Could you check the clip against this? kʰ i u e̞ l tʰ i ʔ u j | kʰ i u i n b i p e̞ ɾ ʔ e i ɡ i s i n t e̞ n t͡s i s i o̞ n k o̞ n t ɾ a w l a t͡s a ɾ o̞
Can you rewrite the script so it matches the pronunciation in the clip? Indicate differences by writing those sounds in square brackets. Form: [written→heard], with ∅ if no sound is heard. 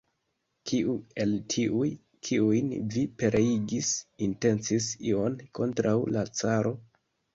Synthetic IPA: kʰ i u e̞ l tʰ i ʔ u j | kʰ i u [i→j] n [b→v] i p e̞ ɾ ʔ e i ɡ i s i n t e̞ n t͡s i s i o̞ n k o̞ n t ɾ a w l a t͡s a ɾ o̞